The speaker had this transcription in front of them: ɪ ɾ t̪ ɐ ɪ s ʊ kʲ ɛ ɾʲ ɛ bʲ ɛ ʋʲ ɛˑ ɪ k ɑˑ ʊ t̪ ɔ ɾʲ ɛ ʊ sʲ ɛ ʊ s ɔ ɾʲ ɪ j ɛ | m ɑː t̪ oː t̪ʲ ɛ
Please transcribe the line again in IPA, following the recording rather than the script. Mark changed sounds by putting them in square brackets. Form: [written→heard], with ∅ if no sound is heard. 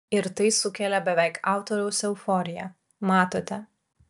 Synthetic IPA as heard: ɪ ɾ t̪ ɐ ɪ s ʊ kʲ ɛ [ɾʲ→lʲ] ɛ bʲ ɛ ʋʲ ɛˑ ɪ k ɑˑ ʊ t̪ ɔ ɾʲ ɛ ʊ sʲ ɛ ʊ [s→f] ɔ ɾʲ ɪ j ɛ | m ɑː t̪ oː t̪ʲ ɛ

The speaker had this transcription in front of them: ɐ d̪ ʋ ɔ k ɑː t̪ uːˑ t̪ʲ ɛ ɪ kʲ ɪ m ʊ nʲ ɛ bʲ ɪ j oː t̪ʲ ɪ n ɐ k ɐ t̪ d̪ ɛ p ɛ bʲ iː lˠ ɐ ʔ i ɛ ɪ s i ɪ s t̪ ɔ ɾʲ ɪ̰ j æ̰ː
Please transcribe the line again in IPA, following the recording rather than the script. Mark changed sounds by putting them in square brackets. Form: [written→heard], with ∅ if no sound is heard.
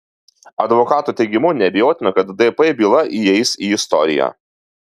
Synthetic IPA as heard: ɐ d̪ ʋ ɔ k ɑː t̪ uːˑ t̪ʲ ɛ ɪ [kʲ→ɡʲ] ɪ m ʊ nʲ ɛ bʲ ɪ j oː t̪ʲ ɪ n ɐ k ɐ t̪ d̪ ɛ p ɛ bʲ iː lˠ ɐ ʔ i ɛ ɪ s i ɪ s t̪ ɔ ɾʲ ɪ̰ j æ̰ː

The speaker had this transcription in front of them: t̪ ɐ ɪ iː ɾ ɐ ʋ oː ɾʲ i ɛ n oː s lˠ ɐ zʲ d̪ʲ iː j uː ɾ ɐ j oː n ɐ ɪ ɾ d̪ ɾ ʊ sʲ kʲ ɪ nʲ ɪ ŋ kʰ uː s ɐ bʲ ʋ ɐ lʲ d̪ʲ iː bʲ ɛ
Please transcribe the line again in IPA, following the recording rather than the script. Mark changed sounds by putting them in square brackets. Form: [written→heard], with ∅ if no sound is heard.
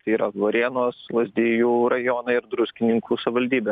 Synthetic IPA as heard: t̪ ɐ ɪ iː ɾ ɐ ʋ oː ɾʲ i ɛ n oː s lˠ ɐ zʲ d̪ʲ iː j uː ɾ ɐ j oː n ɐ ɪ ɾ d̪ ɾ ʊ sʲ kʲ ɪ nʲ ɪ ŋ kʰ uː s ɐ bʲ ʋ ɐ lʲ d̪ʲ iː bʲ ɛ

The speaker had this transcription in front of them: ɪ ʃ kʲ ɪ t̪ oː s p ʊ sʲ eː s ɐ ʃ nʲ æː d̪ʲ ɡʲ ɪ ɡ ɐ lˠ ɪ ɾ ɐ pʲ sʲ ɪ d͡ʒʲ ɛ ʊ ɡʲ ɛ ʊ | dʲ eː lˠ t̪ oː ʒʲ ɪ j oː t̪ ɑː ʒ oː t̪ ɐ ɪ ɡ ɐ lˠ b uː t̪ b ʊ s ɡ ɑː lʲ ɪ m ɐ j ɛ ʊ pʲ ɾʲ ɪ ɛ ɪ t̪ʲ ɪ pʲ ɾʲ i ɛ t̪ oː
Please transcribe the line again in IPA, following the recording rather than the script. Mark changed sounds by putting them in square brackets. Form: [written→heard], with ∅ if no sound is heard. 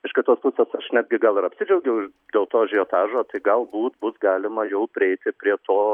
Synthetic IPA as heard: ɪ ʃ kʲ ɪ t̪ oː s p ʊ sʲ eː s ɐ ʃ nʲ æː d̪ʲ ɡʲ ɪ ɡ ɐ lˠ ɪ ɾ ɐ pʲ sʲ ɪ d͡ʒʲ ɛ ʊ ɡʲ ɛ ʊ | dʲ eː lˠ t̪ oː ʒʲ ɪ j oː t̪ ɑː ʒ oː t̪ ɐ ɪ ɡ ɐ lˠ b uː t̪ b ʊ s ɡ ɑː lʲ ɪ m ɐ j ɛ ʊ pʲ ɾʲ ɪ ɛ ɪ t̪ʲ ɪ pʲ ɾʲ i ɛ t̪ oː

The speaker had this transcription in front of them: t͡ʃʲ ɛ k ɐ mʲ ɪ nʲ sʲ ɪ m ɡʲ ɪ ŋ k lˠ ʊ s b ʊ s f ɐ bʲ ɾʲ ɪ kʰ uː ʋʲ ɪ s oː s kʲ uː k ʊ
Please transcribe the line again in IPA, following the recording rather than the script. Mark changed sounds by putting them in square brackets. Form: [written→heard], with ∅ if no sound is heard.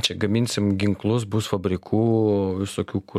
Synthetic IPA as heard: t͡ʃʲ ɛ [k→ɡ] ɐ mʲ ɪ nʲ sʲ ɪ m ɡʲ ɪ ŋ k lˠ ʊ s b ʊ s f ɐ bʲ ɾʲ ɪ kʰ uː ʋʲ ɪ s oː [s→∅] kʲ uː k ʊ

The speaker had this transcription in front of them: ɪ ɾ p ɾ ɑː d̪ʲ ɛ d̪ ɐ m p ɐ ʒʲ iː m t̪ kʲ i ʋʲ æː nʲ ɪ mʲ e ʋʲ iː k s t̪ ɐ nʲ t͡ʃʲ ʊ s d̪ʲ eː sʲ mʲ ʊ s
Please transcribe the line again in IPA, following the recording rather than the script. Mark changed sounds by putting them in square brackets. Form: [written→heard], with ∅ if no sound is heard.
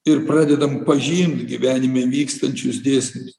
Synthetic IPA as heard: ɪ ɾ p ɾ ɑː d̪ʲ ɛ d̪ ɐ m p ɐ ʒʲ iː m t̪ [kʲ→ɡʲ] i ʋʲ æː nʲ ɪ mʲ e ʋʲ iː k s t̪ ɐ nʲ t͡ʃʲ ʊ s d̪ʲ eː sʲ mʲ ʊ s

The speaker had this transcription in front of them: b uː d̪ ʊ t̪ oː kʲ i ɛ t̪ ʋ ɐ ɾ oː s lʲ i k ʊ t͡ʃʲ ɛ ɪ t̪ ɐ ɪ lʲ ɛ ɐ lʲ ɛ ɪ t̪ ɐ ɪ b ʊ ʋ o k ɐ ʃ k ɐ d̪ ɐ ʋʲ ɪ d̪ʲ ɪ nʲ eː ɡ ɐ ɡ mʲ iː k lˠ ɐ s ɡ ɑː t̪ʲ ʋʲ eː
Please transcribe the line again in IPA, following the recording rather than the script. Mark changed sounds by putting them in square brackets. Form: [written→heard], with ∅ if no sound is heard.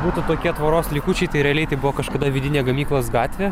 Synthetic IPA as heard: b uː [d̪→t̪] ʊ t̪ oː kʲ i ɛ t̪ ʋ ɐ ɾ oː s lʲ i k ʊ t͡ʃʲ ɛ ɪ t̪ ɐ ɪ [lʲ→ɾʲ] ɛ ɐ lʲ ɛ ɪ t̪ ɐ ɪ b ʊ ʋ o k ɐ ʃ k ɐ d̪ ɐ ʋʲ ɪ d̪ʲ ɪ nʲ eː ɡ ɐ [ɡ→∅] mʲ iː k lˠ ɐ s ɡ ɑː t̪ʲ ʋʲ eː

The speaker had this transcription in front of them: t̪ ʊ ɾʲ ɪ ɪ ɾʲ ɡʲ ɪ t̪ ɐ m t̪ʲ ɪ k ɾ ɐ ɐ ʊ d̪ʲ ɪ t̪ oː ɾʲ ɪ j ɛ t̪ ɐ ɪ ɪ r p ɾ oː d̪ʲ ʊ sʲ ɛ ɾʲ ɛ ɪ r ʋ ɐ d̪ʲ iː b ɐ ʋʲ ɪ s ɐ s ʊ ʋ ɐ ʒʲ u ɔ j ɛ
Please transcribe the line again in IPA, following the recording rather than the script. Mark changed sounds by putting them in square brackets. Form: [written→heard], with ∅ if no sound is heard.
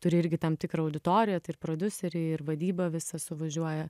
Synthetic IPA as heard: t̪ ʊ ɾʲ ɪ ɪ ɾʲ ɡʲ ɪ t̪ ɐ m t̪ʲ ɪ k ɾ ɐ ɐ ʊ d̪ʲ ɪ t̪ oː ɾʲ ɪ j ɛ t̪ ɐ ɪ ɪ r p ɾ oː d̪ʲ ʊ sʲ ɛ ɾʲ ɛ ɪ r ʋ ɐ d̪ʲ iː b ɐ ʋʲ ɪ s ɐ s ʊ ʋ ɐ ʒʲ u ɔ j ɛ

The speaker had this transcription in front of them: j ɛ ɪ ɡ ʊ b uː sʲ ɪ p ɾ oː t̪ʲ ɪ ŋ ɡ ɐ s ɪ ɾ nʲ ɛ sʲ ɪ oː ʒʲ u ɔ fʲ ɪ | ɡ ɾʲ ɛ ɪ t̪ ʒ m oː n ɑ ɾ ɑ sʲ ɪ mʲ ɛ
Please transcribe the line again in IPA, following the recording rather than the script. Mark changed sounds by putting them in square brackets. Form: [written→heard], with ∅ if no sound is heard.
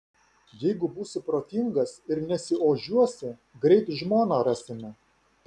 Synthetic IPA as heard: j ɛ ɪ ɡ ʊ b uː sʲ ɪ p ɾ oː t̪ʲ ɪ ŋ ɡ ɐ s ɪ ɾ nʲ ɛ sʲ ɪ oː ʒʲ u ɔ [fʲ→sʲ] ɪ | ɡ ɾʲ ɛ ɪ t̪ ʒ m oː n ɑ ɾ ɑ sʲ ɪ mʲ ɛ

